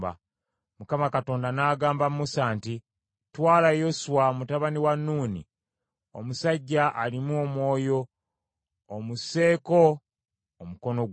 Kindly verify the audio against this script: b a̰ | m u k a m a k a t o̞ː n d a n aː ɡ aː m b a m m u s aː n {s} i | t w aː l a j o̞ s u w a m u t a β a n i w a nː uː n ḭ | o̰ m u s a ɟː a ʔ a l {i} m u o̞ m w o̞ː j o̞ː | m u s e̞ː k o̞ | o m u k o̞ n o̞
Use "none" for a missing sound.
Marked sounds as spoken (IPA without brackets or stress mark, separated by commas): t, i